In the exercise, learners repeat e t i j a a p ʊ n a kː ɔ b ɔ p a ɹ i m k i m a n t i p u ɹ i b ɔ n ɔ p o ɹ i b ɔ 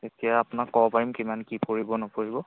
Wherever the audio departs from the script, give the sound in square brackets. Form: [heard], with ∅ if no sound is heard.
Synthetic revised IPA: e t i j a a p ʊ n a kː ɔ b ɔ p a ɹ i m k i m a n [k] i p [o] ɹ i b ɔ n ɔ p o ɹ i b ɔ